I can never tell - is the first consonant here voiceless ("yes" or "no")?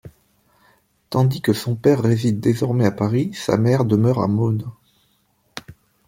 yes